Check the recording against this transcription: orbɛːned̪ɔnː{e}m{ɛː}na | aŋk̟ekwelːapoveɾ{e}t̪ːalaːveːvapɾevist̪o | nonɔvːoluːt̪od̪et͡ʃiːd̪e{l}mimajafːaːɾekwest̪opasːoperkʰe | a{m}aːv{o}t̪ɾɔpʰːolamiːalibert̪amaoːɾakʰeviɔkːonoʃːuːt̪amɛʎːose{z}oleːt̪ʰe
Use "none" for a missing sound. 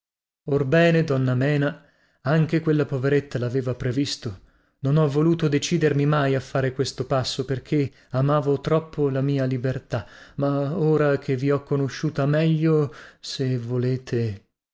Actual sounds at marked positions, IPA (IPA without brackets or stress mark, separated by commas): a, ɛː, e, r, m, o, v